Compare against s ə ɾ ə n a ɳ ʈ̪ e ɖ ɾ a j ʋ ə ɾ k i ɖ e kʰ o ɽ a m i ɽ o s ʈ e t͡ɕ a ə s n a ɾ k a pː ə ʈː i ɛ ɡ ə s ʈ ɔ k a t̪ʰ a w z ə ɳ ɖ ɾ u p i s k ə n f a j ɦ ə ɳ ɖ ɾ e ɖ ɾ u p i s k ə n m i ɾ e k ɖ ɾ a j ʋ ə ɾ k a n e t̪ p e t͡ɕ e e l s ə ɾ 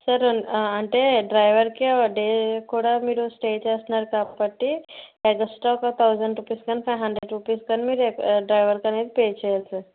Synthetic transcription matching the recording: s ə ɾ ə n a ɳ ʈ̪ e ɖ ɾ a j ʋ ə ɾ k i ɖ e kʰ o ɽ a m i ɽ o s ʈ e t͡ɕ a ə s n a ɾ k a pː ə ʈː i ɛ ɡ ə s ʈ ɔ k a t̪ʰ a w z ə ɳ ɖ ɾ u p i s k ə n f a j ɦ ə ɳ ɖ ɾ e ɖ ɾ u p i s k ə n m i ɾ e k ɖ ɾ a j ʋ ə ɾ k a n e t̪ p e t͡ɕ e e l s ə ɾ